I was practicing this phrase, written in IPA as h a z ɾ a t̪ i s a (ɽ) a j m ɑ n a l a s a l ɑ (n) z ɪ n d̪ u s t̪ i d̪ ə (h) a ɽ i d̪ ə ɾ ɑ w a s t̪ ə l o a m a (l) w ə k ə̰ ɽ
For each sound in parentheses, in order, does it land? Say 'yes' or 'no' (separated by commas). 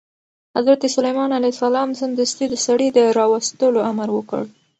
no, no, no, no